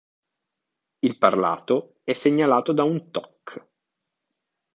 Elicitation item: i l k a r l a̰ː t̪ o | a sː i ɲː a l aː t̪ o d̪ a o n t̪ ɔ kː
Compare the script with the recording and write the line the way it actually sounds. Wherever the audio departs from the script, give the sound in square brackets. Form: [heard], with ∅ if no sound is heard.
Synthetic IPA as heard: i l [p] a r l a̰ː t̪ o | [ɛ] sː [e] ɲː a l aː t̪ o d̪ a [u] n t̪ ɔ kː